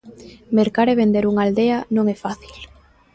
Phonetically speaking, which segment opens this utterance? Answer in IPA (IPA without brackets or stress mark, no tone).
m